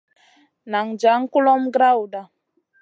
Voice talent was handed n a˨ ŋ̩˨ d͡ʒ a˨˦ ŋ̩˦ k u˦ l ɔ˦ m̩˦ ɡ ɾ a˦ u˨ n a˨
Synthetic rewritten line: n a˨ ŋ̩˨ d͡ʒ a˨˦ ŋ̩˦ k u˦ l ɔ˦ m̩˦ ɡ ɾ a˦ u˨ d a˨